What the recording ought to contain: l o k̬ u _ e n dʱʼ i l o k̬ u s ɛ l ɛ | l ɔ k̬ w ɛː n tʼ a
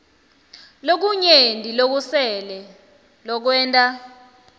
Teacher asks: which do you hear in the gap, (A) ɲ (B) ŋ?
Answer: A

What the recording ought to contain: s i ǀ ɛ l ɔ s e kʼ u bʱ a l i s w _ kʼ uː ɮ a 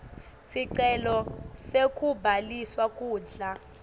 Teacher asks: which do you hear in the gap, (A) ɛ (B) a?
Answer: B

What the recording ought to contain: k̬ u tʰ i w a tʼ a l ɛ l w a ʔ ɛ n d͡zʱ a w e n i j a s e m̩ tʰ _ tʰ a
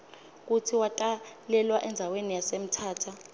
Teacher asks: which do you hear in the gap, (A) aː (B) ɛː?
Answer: A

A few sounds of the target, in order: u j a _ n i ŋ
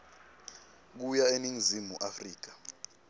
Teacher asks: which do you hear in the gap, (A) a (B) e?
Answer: B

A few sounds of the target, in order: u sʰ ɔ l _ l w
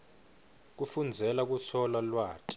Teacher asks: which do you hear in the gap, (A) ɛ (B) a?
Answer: B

